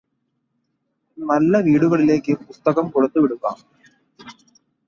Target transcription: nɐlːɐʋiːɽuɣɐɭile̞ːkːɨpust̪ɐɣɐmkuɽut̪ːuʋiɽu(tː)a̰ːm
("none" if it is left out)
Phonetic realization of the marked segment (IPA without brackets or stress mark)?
kː